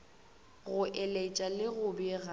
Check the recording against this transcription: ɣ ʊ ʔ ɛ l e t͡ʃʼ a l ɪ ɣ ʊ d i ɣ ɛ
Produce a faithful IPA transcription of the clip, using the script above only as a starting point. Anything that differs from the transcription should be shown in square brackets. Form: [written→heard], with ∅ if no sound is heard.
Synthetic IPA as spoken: ɣ ʊ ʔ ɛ l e t͡ʃʼ a l ɪ ɣ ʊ [d→b] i ɣ [ɛ→a]